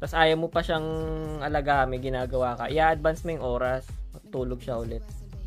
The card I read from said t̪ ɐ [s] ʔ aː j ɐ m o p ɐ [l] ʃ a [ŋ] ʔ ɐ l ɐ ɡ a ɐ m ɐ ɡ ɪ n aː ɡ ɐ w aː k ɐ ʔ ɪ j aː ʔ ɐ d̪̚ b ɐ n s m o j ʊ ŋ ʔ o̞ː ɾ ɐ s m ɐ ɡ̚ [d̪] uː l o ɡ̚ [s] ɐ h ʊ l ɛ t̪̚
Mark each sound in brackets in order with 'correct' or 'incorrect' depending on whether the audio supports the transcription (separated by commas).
correct, incorrect, correct, incorrect, incorrect